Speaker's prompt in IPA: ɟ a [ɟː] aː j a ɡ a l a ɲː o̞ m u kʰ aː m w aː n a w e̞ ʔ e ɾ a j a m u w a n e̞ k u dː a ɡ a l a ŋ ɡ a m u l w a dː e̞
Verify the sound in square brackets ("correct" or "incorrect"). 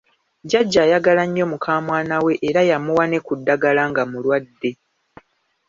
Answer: correct